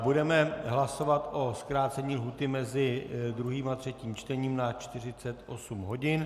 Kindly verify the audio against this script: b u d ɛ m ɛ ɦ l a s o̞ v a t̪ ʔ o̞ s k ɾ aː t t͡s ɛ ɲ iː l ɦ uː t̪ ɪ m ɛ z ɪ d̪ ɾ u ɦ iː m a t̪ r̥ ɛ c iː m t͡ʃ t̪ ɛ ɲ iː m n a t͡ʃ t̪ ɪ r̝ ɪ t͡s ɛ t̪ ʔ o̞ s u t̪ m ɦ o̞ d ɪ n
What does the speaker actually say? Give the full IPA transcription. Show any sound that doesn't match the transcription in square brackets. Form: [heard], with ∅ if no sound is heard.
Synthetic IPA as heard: b u d ɛ m ɛ ɦ l a s o̞ v a t̪ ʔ o̞ s k ɾ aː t t͡s ɛ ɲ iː l ɦ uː t̪ ɪ m ɛ z ɪ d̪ ɾ u ɦ iː m a t̪ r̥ ɛ c iː m t͡ʃ t̪ ɛ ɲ iː m n a t͡ʃ t̪ ɪ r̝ ɪ t͡s ɛ t̪ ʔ o̞ s u [∅] m ɦ o̞ [ɟ] ɪ n